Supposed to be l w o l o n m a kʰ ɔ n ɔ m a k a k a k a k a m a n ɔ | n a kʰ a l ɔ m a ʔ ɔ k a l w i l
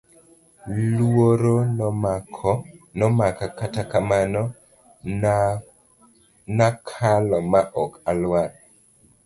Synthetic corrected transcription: l w o ɾ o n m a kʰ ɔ n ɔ m a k a k a t a k a m a n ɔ | n a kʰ a l ɔ m a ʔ ɔ k a l w a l

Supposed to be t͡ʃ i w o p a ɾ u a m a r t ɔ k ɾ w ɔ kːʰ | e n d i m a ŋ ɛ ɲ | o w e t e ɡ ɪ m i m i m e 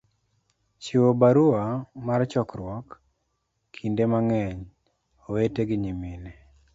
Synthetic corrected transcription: t͡ʃ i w o b a ɾ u a m a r t͡ʃ ɔ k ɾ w ɔ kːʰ | i n d e m a ŋ ɛ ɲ | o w e t e ɡ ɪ ɲ i m i n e

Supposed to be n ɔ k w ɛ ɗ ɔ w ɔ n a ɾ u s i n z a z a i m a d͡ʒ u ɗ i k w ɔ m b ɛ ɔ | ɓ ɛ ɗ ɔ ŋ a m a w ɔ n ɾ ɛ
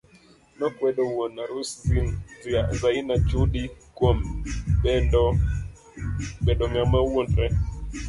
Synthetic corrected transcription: n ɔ k w ɛ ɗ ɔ w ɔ n a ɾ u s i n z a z a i n a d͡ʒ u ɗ i k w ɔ m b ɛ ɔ | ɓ ɛ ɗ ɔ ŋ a m a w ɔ n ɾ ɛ

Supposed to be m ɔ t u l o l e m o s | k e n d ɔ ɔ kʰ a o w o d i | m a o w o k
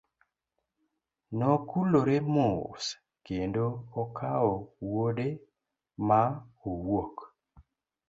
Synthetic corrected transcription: n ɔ k u l o ɾ e m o s | k e n d o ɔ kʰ a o w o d e | m a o w o k

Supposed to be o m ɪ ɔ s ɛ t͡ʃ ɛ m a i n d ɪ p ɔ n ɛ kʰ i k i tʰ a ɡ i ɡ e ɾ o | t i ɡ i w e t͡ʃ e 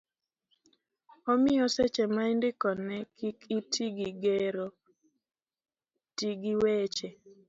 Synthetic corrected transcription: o m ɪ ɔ s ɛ t͡ʃ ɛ m a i n d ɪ k ɔ n ɛ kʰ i k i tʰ i ɡ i ɡ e ɾ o | t i ɡ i w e t͡ʃ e

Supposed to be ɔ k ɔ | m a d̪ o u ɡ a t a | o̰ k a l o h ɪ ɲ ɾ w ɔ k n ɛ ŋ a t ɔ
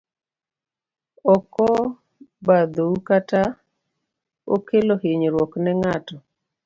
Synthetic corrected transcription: ɔ k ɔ | b a d̪ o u k a t a | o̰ k e l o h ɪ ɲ ɾ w ɔ k n ɛ ŋ a t ɔ

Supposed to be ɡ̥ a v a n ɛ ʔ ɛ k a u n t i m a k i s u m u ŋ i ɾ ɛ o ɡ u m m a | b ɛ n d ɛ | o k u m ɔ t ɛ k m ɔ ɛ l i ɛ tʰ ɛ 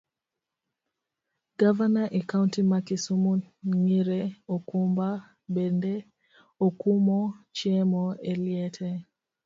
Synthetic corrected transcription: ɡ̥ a v a n a ʔ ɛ k a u n t i m a k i s u m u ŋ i ɾ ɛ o k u m b a | b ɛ n d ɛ | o k u m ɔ t͡ʃ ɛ m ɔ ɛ l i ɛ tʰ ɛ

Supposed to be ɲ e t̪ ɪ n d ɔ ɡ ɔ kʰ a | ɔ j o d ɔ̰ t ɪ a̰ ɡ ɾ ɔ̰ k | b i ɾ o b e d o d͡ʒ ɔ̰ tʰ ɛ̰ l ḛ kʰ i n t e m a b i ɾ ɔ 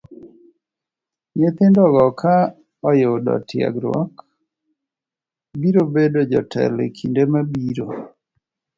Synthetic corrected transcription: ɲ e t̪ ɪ n d ɔ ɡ ɔ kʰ a | ɔ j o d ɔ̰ t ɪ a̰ ɡ ɾ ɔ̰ k | b i ɾ o b e d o d͡ʒ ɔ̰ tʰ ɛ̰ l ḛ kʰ i n d e m a b i ɾ o

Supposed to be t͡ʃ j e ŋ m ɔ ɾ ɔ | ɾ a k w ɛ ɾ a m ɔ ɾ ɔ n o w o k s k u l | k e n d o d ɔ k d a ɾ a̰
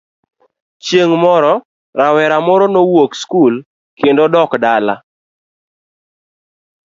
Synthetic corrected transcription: t͡ʃ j e ŋ m ɔ ɾ ɔ | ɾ a w ɛ ɾ a m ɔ ɾ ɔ n o w o k s k u l | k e n d o d ɔ k d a l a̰

